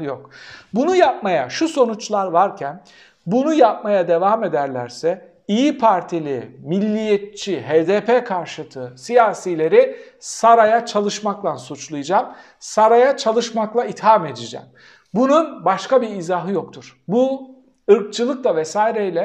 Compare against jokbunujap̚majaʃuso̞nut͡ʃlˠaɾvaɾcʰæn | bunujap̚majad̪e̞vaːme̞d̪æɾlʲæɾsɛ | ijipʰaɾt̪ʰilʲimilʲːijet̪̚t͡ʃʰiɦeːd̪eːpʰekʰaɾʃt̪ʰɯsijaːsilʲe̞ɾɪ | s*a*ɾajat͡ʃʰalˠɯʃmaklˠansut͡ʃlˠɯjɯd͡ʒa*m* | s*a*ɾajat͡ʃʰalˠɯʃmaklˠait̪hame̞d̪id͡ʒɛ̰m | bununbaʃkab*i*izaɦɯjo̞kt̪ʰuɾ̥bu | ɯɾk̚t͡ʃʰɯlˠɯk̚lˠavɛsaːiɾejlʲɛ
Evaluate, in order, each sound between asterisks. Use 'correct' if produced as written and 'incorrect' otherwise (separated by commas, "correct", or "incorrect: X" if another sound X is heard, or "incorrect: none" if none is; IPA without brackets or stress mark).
correct, correct, correct, correct